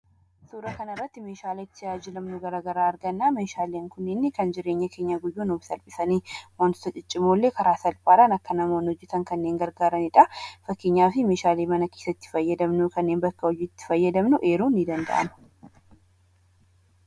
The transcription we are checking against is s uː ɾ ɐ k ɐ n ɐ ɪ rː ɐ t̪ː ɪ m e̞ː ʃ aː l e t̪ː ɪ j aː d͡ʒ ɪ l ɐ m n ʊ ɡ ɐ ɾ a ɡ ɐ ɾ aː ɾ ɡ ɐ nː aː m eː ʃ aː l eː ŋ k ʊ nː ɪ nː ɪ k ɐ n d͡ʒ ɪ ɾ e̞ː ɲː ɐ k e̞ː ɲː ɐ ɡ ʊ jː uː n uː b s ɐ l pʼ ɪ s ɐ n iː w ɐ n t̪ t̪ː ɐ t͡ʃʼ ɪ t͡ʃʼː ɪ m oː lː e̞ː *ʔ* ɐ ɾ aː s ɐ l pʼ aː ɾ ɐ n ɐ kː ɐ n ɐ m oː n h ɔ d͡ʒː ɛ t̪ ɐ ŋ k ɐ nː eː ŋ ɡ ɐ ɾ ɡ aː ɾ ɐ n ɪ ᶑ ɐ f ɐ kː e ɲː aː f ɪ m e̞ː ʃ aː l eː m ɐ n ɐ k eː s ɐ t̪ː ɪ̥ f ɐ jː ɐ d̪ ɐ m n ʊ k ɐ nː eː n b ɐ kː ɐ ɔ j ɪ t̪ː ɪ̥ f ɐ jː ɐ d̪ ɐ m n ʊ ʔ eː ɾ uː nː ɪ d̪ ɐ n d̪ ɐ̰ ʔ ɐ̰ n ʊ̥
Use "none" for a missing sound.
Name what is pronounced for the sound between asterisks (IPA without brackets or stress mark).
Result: k